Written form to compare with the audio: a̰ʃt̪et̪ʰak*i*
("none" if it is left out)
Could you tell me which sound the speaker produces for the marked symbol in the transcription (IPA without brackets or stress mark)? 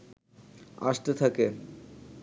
e